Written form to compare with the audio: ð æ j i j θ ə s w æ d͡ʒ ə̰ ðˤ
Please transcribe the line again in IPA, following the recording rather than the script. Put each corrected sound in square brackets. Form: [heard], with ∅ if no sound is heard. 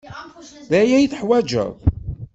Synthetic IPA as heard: ð æ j [æ] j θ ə [ħ] w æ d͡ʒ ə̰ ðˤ